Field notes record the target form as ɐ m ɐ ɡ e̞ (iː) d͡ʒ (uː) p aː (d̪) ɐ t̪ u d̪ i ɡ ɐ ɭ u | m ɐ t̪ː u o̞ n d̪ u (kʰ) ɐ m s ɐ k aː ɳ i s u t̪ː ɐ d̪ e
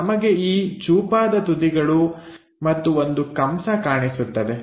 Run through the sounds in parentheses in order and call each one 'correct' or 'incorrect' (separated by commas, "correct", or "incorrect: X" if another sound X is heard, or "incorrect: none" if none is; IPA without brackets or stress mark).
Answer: correct, correct, correct, incorrect: k